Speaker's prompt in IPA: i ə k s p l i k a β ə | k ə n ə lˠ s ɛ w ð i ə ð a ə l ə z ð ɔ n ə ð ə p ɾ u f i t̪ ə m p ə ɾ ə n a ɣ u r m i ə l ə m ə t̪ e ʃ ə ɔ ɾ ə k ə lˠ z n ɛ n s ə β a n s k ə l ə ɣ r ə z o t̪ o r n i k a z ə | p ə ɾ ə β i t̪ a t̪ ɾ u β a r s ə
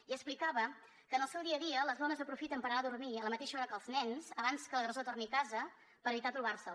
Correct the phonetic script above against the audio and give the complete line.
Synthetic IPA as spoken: i ə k s p l i k a β ə | k ə n ə lˠ s ɛ w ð i ə ð i ə l ə z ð ɔ n ə z ə p ɾ u f i t̪ ə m p ə ɾ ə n a ð u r m i ə l ə m ə t̪ e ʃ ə ɔ ɾ ə k ə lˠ z n ɛ n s ə β a n s k ə l ə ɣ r ə z o t̪ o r n i k a z ə | p ə ɾ ə β i t̪ a t̪ ɾ u β a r s ə

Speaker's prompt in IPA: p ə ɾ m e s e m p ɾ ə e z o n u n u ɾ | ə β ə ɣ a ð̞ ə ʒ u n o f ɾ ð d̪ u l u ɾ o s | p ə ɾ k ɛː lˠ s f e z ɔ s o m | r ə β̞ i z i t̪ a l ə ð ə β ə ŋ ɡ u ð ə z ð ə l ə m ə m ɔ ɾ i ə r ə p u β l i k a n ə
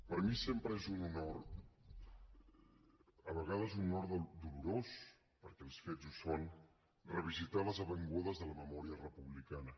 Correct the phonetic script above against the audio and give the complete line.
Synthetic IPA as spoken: p ə ɾ m i s e m p ɾ ə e z u n u n o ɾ | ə β ə ɣ a ð̞ ə z u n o ɾ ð d̪ u l u ɾ o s | p ə ɾ k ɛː lˠ s f e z u s o n | r ə β̞ i z i t̪ a l ə z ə β ə ŋ ɡ u ð ə z ð ə l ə m ə m ɔ ɾ i ə r ə p u β l i k a n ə

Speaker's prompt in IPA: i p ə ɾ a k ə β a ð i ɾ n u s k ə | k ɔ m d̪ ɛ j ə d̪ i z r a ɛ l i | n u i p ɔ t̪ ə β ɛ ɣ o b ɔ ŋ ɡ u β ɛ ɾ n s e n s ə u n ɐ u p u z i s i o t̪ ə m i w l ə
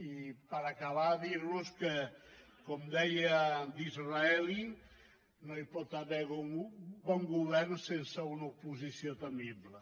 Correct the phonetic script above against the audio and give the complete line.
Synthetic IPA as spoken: i p ə ɾ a k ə β a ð i ɾ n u s k ə | k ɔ m d̪ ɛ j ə d̪ i z r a ɛ l i | n o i p ɔ t̪ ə β ɛ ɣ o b ɔ ŋ ɡ u β ɛ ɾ n s e n s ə u n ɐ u p u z i s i o t̪ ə m i β l ə

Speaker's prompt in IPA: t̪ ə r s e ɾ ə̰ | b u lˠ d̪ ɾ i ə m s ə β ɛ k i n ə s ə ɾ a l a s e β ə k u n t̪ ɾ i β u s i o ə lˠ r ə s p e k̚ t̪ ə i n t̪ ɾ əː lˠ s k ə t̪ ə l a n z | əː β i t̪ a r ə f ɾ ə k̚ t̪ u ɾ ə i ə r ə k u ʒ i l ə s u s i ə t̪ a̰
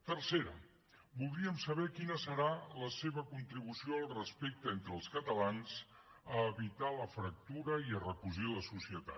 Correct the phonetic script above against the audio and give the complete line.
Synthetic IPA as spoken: t̪ ə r s e ɾ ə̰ | b u lˠ d̪ ɾ i ə m s ə β ɛ k i n ə s ə ɾ a l ə s e β ə k u n t̪ ɾ i β u s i o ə lˠ r ə s p e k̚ t̪ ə e n t̪ ɾ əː lˠ s k ə t̪ ə l a n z | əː β i t̪ a l ə f ɾ ə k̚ t̪ u ɾ ə i ə r ə k u ʒ i l ə s u s i ə t̪ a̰

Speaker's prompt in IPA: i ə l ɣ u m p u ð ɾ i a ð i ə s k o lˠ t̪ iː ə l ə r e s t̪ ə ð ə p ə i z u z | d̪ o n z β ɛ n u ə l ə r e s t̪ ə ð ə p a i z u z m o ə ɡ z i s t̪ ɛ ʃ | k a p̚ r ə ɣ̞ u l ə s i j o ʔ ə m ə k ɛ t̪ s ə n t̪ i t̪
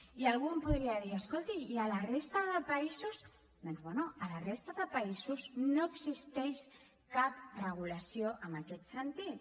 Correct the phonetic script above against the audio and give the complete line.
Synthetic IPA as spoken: i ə l ɣ u m p u ð ɾ i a ð i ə s k o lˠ t̪ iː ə l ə r e s t̪ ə ð ə p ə i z u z | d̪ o n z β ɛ n u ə l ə r e s t̪ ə ð ə p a i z u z n o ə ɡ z i s t̪ ɛ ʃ | k a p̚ r ə ɣ̞ u l ə s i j o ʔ ə m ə k ɛ t̪ s ə n t̪ i t̪

